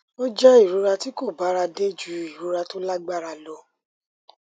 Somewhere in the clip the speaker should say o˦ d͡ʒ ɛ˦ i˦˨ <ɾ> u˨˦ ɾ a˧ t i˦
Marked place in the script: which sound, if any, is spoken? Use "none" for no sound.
ɾ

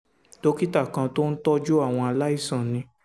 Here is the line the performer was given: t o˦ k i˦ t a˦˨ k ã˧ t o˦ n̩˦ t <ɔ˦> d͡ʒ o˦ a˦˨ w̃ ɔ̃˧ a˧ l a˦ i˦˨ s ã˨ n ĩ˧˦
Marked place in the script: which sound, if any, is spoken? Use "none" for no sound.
ɔ˦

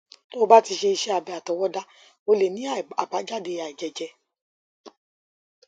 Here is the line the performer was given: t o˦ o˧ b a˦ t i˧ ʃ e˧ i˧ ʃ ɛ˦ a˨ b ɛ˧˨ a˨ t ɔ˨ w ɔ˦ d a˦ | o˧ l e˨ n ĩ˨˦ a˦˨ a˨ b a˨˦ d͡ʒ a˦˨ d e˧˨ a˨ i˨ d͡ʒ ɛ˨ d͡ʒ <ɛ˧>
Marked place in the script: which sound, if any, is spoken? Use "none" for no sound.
ɛ˧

